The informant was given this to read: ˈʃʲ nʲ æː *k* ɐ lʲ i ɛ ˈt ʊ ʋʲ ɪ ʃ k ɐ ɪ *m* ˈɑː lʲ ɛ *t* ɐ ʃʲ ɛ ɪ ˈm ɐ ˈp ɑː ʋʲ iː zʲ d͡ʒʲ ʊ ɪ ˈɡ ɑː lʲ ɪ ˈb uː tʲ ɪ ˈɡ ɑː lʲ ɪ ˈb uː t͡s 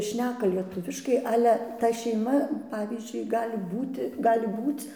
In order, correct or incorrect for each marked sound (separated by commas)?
correct, incorrect, correct